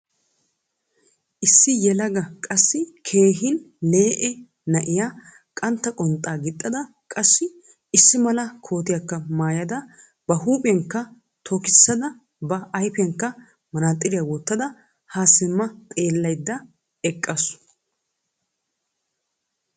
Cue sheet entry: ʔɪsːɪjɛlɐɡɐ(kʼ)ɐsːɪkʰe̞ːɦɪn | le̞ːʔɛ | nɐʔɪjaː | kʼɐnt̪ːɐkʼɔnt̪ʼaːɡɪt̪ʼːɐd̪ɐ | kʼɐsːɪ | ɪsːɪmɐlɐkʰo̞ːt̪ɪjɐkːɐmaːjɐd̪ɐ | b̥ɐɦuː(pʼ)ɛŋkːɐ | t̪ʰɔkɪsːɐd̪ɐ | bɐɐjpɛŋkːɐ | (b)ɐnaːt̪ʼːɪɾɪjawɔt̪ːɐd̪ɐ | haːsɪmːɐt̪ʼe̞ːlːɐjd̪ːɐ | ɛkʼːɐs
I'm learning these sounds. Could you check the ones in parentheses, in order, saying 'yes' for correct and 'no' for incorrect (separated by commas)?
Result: yes, yes, no